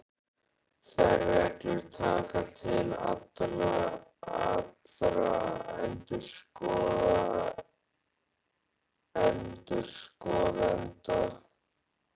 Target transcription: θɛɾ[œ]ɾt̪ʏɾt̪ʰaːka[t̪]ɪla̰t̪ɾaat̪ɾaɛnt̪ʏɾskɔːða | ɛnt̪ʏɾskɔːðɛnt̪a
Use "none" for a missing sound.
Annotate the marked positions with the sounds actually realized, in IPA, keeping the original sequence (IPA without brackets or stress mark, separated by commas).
ɛ, t̪ʰ